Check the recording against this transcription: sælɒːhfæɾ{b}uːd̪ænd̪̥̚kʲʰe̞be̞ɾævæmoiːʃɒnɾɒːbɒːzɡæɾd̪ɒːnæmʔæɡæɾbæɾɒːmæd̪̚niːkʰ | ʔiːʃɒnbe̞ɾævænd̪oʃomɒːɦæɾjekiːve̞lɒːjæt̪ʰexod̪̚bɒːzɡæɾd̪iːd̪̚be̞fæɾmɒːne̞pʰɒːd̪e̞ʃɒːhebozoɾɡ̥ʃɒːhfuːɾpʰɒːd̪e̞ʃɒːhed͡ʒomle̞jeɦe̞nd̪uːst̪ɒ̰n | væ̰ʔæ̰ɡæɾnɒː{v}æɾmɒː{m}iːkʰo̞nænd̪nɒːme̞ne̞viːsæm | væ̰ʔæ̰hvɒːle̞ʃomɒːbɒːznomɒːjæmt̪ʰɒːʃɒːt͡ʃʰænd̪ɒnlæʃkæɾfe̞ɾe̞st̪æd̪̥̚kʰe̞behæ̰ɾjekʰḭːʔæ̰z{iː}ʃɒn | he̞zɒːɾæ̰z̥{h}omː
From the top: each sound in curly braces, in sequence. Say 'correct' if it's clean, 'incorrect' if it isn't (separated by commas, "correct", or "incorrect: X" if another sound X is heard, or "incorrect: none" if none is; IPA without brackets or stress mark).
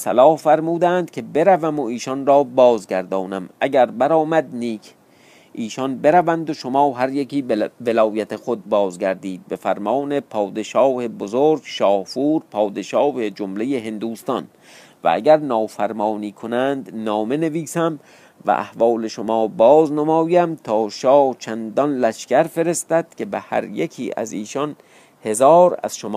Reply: incorrect: m, incorrect: f, incorrect: n, correct, incorrect: ʃ